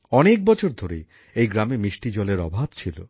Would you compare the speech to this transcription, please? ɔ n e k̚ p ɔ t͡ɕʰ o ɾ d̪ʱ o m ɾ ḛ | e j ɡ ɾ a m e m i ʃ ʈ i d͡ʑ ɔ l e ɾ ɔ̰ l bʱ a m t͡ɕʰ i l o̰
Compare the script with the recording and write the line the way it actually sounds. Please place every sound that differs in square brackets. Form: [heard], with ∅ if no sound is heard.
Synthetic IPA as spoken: ɔ n e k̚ [b] ɔ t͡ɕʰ o ɾ d̪ʱ o [∅] ɾ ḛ | e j ɡ ɾ a m e m i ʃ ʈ i d͡ʑ ɔ l e ɾ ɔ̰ [∅] bʱ a [b] t͡ɕʰ i l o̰